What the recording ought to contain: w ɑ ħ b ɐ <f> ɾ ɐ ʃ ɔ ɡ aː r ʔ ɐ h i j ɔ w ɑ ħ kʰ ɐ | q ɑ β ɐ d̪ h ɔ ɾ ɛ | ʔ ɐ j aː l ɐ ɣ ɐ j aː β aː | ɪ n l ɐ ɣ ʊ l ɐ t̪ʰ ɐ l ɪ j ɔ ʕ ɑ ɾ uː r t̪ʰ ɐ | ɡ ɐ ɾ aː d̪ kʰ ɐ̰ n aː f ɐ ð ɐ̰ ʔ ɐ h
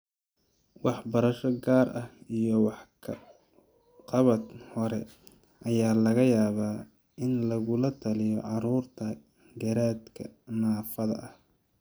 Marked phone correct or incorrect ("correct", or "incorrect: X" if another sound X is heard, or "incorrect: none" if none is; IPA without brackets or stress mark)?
incorrect: none